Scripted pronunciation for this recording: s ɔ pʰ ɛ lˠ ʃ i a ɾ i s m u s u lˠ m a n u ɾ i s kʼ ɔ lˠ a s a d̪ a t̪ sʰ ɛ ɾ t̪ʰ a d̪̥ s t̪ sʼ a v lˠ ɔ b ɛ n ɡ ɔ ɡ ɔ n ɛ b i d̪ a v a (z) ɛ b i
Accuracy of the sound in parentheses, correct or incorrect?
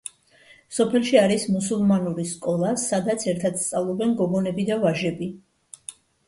incorrect